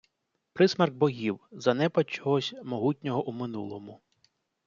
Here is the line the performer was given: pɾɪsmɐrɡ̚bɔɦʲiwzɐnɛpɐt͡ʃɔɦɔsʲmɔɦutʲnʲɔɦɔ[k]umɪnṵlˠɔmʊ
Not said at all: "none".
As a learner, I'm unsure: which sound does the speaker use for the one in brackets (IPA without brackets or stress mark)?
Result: ʔ